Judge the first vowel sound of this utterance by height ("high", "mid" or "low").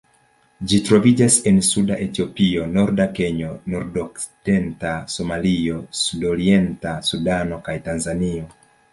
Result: high